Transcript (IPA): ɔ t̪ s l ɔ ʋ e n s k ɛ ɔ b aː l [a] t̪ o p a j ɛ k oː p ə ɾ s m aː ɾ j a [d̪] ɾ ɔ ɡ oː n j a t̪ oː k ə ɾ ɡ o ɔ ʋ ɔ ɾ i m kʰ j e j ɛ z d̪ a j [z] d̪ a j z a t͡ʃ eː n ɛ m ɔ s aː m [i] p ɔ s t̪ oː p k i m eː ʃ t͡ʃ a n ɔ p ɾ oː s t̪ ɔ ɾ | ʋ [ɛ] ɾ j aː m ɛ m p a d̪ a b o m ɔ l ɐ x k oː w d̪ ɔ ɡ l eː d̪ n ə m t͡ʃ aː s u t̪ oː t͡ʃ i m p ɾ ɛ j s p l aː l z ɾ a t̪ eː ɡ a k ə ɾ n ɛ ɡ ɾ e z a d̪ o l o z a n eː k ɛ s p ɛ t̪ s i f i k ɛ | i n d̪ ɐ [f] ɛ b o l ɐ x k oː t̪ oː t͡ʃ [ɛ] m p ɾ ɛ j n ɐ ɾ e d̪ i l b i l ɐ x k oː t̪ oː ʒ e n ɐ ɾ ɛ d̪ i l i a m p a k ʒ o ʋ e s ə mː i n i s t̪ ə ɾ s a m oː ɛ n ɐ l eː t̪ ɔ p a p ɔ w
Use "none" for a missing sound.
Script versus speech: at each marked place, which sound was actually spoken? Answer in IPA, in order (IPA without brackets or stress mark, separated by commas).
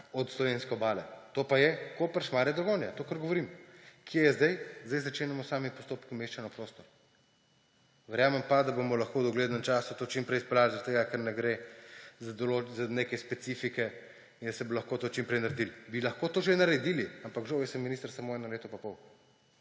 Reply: ɛ, d̪, z, i, ɛ, s, i